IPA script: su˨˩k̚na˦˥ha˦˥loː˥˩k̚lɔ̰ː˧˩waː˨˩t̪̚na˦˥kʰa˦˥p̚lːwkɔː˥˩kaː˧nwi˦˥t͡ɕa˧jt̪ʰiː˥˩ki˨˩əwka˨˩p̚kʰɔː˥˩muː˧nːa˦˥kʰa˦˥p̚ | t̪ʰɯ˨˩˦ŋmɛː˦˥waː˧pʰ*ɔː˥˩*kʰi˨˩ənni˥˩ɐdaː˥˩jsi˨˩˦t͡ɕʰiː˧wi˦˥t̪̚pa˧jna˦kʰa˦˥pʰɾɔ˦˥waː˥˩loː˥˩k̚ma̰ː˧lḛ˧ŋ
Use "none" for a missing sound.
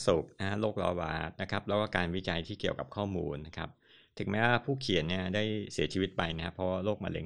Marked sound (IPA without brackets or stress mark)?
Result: uː˥˩